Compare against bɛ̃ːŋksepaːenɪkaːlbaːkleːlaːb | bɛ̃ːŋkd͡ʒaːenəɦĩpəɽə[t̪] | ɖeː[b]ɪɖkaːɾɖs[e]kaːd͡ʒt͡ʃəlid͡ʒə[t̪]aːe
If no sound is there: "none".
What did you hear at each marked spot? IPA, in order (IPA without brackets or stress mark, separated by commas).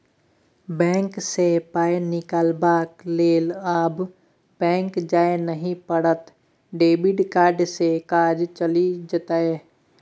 t̪, b, e, t̪